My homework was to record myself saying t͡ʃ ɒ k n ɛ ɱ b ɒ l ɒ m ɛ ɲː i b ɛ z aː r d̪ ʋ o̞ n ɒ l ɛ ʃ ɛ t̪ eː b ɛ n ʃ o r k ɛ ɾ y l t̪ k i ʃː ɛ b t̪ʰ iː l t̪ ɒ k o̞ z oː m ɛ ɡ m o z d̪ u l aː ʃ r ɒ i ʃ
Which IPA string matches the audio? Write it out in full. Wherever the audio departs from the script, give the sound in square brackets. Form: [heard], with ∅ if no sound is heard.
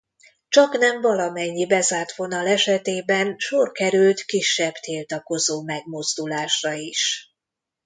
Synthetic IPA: t͡ʃ ɒ k n ɛ ɱ [v] ɒ l ɒ m ɛ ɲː i b ɛ z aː r [t̪] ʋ o̞ n ɒ l ɛ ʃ ɛ t̪ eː b ɛ n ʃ o r k ɛ ɾ y l t̪ k i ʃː ɛ b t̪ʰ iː l t̪ ɒ k o̞ z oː m ɛ ɡ m o z d̪ u l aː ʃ r ɒ i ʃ